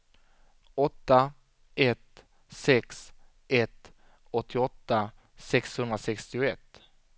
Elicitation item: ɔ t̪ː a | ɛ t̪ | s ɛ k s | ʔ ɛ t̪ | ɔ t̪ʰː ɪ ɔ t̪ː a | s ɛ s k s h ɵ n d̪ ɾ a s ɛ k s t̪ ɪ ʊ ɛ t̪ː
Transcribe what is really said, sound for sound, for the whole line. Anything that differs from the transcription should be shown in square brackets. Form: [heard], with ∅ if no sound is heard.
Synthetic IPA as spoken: ɔ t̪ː a | ɛ t̪ | s ɛ k s | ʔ ɛ t̪ | ɔ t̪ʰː ɪ ɔ t̪ː a | s ɛ [∅] k s h ɵ n d̪ ɾ a s ɛ k s t̪ ɪ ʊ ɛ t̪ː